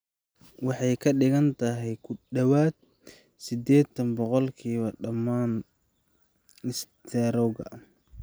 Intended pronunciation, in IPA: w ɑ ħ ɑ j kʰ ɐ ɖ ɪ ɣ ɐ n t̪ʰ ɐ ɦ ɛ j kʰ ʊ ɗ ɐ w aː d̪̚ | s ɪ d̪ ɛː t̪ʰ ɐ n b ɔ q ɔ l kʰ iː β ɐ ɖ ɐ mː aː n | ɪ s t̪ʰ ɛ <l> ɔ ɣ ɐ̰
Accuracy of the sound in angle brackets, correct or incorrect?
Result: incorrect